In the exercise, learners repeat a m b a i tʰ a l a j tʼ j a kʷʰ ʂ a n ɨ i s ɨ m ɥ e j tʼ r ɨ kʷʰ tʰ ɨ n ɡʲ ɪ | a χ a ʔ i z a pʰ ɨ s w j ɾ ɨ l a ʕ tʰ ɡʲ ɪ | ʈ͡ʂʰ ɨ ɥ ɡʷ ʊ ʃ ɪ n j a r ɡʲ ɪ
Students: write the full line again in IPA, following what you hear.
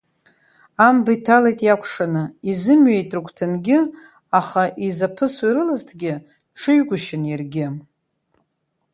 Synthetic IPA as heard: a m b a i tʰ a l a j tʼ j a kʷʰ ʂ a n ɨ i z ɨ m ɥ e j tʼ r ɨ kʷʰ tʰ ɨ n ɡʲ ɪ | a χ a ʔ i z a pʰ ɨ s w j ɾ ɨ l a z tʰ ɡʲ ɪ | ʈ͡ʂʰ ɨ ɥ ɡʷ ʊ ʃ ɪ n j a r ɡʲ ɪ